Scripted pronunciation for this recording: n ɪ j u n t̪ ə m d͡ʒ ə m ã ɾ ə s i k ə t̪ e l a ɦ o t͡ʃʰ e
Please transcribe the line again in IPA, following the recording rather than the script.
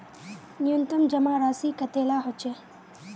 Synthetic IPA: n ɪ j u n t̪ ə m d͡ʒ ə m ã ɾ a s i k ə t̪ e l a ɦ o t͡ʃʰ e